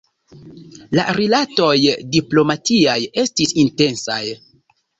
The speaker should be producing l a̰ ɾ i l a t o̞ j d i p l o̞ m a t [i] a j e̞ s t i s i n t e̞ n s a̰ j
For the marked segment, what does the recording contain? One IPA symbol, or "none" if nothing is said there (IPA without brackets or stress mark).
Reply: i